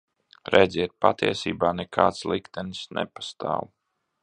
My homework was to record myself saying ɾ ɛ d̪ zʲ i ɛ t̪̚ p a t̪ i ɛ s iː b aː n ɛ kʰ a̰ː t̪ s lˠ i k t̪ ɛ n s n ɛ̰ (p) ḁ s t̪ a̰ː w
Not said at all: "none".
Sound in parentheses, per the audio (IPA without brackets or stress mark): p